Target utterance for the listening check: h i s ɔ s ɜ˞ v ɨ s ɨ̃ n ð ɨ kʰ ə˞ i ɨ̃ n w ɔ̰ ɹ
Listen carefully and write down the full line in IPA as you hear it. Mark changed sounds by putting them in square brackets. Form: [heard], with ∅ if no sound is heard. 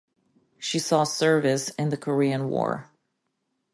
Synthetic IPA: [ʃ] i s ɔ s ɜ˞ v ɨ s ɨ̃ n ð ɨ kʰ ə˞ i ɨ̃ n w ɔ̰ ɹ